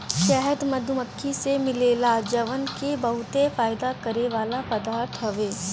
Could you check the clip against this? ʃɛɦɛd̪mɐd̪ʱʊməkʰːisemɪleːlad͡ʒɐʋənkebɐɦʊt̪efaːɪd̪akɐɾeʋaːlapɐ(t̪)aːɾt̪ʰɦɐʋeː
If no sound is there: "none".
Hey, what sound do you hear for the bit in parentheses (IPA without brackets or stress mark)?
d̪